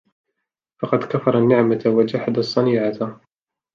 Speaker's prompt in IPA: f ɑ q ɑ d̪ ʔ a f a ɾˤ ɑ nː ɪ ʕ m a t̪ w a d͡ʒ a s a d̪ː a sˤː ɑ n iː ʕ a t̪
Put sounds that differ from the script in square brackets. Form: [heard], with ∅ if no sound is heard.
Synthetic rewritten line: f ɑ q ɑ d̪ [k] a f [ɑ] ɾˤ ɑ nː ɪ ʕ m a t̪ w a d͡ʒ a [ħ] a [d̪] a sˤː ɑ n iː ʕ a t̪